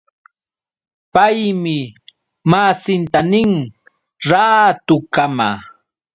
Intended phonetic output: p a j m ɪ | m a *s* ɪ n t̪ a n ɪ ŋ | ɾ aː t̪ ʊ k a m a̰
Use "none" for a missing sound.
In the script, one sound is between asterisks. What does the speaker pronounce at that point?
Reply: s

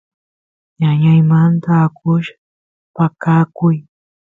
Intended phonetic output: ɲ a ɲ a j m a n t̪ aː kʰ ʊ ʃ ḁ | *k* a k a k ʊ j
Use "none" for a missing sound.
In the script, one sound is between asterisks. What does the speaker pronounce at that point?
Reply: p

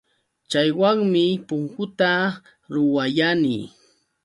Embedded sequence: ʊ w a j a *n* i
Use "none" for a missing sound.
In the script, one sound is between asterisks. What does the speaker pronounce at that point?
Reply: n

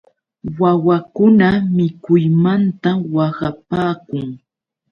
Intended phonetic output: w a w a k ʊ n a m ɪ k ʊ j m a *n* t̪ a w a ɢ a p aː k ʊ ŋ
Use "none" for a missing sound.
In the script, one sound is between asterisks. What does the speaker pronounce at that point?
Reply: n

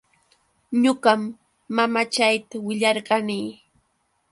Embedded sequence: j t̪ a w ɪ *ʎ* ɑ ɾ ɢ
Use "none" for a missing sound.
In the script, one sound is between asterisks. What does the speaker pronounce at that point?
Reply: ʎ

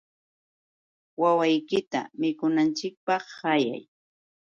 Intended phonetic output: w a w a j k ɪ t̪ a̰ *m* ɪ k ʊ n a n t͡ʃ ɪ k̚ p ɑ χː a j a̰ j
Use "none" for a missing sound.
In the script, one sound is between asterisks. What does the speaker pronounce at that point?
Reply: m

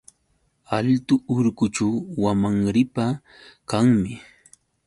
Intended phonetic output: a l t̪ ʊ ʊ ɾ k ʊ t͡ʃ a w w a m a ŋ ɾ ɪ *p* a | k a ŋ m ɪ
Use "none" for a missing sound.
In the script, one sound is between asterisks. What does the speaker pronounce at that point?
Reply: p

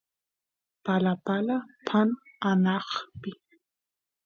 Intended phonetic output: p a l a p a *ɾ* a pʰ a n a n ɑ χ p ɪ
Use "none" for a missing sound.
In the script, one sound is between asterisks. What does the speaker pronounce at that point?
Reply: l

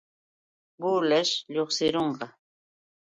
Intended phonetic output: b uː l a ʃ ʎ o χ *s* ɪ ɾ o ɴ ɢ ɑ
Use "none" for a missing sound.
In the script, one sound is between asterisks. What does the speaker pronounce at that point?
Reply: s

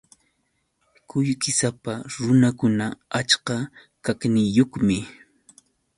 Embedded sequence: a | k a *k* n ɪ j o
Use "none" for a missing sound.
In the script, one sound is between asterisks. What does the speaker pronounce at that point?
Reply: k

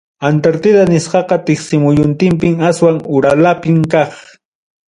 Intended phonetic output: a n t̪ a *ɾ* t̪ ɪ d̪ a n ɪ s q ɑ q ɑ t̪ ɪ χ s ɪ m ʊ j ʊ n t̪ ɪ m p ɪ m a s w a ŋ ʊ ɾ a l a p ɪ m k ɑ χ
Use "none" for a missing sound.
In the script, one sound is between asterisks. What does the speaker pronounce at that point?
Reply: ɾ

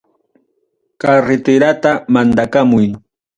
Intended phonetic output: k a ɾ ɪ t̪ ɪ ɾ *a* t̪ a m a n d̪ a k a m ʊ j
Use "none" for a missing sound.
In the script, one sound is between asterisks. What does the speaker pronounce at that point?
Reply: a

